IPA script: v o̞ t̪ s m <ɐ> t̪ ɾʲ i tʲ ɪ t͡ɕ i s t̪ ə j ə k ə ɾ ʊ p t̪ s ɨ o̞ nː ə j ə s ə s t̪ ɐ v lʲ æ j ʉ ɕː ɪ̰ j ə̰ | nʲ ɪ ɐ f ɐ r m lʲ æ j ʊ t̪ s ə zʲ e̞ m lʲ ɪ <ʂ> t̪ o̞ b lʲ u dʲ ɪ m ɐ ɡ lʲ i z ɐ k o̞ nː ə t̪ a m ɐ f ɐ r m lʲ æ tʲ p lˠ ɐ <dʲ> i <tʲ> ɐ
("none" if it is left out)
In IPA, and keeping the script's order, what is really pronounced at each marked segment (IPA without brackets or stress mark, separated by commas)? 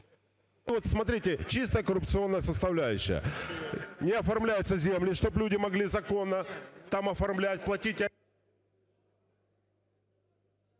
ɐ, ʂ, tʲ, tʲ